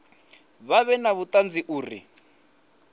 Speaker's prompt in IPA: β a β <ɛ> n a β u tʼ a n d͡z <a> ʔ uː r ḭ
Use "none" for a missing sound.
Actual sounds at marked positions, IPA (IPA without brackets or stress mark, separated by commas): ɛ, i